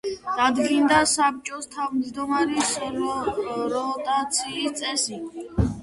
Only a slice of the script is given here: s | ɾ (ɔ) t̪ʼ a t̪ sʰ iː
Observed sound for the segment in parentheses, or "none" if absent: ɔ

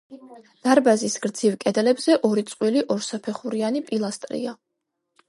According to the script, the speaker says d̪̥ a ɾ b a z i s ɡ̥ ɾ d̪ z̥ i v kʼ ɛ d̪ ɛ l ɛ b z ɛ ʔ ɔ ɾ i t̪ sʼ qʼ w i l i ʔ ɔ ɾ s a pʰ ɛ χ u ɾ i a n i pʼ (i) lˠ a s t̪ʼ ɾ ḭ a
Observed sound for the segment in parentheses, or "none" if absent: i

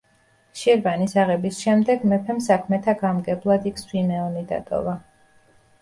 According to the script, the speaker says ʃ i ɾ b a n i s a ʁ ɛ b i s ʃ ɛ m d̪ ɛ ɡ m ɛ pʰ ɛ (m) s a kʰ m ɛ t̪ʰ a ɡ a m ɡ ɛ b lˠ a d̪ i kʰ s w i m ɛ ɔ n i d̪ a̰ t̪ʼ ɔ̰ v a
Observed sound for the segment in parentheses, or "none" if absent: m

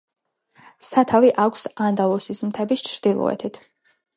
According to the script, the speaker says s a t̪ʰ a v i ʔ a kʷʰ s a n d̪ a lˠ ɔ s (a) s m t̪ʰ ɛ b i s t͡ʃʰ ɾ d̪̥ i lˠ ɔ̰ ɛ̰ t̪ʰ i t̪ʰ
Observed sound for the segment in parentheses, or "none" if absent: i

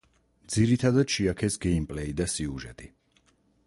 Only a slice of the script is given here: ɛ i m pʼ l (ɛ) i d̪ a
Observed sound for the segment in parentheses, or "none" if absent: ɛ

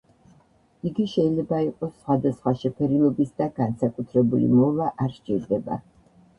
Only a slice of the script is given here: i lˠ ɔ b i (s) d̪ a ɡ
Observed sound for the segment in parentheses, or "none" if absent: s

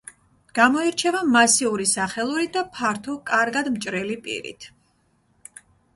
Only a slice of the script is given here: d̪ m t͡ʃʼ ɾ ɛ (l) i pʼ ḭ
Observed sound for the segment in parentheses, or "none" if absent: l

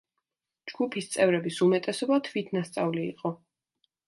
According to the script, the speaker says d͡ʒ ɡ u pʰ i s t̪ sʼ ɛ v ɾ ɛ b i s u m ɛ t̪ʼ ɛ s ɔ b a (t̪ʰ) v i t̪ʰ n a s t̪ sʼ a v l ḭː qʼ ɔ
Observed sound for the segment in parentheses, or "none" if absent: t̪ʰ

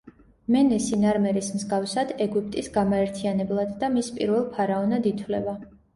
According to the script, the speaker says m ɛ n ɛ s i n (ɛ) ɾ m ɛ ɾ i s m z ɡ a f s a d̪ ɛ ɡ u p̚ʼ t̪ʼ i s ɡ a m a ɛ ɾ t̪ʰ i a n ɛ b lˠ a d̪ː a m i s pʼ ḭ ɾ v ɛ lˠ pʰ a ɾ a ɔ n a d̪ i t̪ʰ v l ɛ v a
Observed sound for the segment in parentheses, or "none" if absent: a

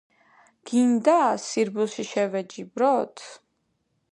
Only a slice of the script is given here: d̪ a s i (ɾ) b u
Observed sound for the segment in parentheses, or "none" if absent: ɾ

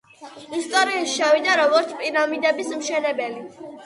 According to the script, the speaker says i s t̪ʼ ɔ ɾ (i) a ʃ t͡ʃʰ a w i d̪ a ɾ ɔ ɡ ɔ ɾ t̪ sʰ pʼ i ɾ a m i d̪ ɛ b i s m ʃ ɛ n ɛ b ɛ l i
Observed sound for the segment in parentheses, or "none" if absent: i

